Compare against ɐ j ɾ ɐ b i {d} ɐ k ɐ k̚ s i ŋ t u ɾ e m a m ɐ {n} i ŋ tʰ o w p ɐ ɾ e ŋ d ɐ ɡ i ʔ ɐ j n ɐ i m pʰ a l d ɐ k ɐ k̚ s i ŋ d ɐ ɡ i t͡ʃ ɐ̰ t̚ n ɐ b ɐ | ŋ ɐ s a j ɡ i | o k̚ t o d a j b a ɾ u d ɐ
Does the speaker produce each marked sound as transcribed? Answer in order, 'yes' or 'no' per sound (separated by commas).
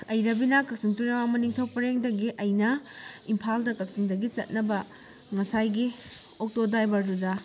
no, yes